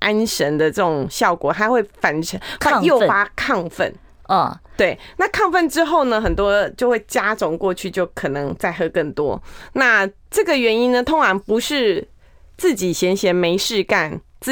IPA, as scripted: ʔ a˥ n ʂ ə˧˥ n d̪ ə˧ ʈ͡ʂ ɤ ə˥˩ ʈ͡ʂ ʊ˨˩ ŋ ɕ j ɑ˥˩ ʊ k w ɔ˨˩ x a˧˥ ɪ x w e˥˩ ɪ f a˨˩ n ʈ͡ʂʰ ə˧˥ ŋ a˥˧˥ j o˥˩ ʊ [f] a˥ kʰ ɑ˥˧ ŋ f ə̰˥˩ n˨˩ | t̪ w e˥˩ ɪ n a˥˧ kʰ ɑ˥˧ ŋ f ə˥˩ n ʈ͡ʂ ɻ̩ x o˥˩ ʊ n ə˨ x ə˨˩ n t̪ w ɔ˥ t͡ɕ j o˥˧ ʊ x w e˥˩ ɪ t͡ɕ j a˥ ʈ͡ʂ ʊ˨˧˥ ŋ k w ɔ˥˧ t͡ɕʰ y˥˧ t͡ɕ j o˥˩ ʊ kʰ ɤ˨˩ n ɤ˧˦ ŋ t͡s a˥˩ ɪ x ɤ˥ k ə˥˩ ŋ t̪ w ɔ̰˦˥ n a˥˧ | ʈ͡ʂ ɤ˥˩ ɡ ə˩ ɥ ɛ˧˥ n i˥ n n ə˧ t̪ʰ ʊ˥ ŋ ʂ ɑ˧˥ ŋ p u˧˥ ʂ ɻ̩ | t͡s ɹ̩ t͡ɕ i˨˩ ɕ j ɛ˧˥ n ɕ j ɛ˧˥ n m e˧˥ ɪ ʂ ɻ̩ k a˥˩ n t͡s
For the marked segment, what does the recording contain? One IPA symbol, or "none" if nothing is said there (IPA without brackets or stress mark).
f